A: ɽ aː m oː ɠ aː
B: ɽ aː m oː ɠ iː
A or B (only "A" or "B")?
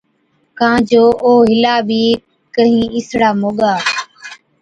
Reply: A